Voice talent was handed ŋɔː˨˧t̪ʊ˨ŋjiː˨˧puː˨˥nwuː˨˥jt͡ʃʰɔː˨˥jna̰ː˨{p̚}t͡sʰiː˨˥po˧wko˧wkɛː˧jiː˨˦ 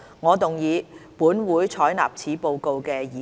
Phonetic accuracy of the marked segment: correct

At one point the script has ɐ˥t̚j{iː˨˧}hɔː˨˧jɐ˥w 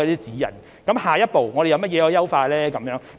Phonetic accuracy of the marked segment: incorrect: ɛː˨˧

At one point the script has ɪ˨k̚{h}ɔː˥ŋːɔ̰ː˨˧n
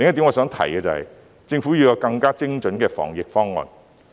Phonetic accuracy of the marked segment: incorrect: f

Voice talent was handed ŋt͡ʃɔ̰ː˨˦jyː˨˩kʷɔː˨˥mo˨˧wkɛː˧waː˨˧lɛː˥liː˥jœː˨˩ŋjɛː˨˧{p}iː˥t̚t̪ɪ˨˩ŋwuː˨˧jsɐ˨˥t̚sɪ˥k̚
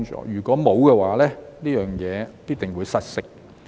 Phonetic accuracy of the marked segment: correct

